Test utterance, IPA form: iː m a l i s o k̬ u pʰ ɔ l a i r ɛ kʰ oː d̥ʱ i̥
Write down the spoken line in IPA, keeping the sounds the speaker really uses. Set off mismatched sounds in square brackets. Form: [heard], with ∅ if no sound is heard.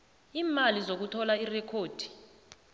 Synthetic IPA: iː m a l i [z] o k̬ u [tʰ] ɔ l a i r ɛ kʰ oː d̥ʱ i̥